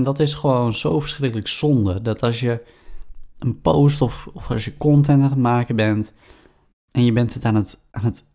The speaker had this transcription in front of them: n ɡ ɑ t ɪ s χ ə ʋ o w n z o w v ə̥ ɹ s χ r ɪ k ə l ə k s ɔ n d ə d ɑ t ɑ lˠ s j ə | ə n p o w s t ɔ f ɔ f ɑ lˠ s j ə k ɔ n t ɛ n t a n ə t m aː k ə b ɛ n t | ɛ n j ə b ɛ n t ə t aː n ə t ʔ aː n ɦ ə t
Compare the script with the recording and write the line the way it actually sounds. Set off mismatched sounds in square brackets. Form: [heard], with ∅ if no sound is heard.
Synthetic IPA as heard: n [d] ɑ t ɪ s χ ə ʋ o w n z o w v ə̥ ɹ s χ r ɪ k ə l ə k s ɔ n d ə d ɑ t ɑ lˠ s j ə | ə n p o w s t ɔ f ɔ f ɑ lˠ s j ə k ɔ n t ɛ n t a n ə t m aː k ə b ɛ n t | ɛ n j ə b ɛ n t ə t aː n ə t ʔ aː n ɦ ə t